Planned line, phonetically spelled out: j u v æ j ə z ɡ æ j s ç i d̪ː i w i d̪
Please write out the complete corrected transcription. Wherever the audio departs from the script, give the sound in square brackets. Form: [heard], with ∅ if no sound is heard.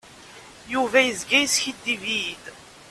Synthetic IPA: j u v æ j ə z ɡ æ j s ç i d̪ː i [v] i d̪